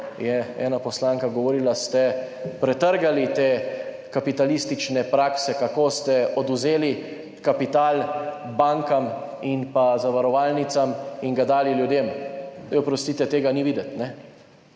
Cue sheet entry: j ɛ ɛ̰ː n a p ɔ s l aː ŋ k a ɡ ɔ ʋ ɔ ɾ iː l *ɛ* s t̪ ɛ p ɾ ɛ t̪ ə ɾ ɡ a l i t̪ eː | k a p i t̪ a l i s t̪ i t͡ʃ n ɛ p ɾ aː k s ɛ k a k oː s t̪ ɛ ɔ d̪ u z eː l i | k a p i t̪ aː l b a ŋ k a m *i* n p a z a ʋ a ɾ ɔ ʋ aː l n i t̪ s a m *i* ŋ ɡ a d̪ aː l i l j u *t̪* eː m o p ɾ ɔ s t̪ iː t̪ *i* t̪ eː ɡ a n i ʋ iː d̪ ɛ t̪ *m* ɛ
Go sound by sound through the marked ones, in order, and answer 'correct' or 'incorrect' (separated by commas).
incorrect, correct, correct, incorrect, incorrect, incorrect